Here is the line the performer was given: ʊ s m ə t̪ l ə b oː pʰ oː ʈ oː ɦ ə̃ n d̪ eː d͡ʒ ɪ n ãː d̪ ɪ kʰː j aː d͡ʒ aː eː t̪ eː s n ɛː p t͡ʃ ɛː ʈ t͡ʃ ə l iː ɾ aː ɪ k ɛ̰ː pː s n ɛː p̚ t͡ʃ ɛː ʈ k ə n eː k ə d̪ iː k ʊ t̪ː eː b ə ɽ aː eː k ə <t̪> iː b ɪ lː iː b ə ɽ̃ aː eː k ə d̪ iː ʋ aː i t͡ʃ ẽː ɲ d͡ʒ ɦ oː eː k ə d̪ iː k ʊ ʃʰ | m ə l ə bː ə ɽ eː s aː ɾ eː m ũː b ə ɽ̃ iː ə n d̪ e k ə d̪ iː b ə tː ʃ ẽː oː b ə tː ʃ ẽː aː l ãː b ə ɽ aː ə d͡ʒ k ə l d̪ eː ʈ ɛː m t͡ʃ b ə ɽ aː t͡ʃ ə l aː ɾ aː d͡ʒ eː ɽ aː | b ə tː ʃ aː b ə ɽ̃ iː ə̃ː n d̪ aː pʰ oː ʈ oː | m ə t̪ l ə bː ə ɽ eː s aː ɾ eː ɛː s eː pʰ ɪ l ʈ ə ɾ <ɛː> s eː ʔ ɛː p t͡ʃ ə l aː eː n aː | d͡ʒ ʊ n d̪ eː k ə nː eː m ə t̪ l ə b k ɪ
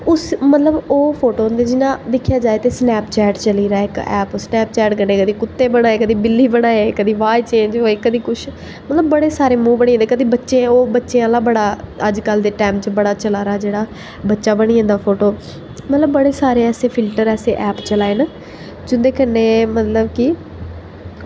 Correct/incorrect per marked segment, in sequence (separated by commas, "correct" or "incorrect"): incorrect, correct